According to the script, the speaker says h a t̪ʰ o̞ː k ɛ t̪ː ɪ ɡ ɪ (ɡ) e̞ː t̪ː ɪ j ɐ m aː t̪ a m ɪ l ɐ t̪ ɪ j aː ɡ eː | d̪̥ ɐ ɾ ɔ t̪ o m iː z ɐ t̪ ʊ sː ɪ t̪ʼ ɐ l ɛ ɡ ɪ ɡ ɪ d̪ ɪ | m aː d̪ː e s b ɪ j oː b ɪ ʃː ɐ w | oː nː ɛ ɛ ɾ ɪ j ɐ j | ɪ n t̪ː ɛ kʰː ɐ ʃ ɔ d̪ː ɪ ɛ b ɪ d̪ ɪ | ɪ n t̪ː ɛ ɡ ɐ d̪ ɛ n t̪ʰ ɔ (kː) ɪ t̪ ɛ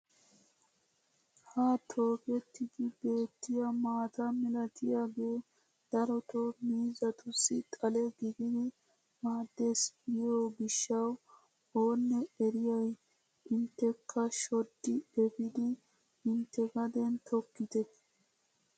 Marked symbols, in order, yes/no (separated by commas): no, yes